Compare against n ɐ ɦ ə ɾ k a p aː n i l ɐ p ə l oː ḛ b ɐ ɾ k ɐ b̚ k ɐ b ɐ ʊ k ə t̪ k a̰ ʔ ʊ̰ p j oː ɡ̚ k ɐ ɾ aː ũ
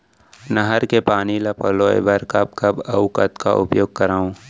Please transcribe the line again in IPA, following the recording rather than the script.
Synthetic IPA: n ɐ ɦ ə ɾ k e p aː n i l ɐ p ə l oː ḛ b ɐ ɾ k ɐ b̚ k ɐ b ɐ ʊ k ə t̪ k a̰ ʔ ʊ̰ p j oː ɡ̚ k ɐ ɾ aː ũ